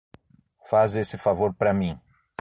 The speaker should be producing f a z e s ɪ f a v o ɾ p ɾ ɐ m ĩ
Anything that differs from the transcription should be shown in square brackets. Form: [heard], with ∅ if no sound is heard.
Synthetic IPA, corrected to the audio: f a z e s ɪ f a v o ɾ p ɾ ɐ m ĩ